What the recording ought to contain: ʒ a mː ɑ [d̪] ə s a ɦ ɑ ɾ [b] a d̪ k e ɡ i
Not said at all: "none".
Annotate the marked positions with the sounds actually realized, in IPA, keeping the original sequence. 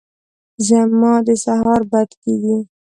d̪, b

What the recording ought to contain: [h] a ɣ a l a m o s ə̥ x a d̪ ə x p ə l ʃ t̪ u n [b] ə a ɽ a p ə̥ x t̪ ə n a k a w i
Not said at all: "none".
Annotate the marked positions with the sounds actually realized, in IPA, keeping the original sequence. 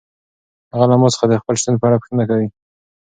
h, p

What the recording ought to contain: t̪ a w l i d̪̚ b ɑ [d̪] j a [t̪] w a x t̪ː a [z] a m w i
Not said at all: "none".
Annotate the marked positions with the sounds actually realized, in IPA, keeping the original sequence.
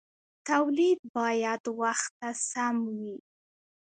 none, d̪, s

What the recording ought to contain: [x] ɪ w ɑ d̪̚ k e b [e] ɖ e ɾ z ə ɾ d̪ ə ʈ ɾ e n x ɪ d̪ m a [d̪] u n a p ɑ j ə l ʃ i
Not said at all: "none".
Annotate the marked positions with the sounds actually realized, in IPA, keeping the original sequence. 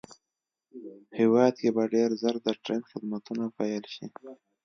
h, a, t̪

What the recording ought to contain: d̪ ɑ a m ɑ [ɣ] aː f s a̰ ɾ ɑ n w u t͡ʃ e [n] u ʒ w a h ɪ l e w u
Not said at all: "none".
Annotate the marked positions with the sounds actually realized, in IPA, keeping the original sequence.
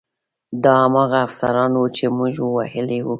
ɣ, m

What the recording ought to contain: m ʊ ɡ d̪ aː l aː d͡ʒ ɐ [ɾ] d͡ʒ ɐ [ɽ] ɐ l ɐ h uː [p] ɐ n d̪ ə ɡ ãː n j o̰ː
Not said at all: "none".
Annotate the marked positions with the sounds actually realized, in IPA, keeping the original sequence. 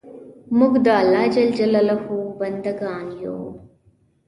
l, l, b

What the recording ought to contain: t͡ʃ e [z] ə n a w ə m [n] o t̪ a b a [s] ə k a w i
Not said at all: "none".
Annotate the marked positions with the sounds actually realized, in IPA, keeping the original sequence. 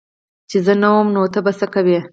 z, n, s

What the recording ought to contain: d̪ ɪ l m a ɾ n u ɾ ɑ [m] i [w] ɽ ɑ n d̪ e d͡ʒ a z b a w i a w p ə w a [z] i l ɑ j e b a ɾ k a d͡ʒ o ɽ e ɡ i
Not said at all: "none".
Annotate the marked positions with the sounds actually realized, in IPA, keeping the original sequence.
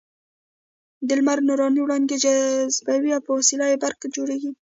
n, w, s

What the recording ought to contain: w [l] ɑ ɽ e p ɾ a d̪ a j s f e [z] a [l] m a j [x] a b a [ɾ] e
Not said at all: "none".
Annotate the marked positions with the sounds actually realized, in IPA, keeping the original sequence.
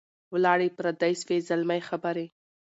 l, z, l, x, ɾ

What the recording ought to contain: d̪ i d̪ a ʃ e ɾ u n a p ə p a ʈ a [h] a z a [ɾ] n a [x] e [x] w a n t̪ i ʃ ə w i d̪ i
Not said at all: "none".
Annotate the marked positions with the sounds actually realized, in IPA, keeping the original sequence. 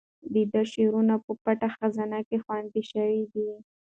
x, none, k, x

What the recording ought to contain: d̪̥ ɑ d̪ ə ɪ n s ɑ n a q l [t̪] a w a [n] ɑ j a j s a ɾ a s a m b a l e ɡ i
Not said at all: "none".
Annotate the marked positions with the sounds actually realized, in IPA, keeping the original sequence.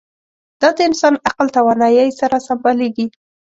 t̪, n

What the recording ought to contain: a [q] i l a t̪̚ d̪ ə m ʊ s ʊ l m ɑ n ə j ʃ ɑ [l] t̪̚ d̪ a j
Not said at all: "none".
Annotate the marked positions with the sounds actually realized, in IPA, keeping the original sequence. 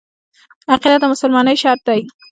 q, ɾ

